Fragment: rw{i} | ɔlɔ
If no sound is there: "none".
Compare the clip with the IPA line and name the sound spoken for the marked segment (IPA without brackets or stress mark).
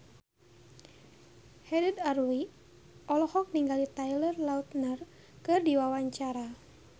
i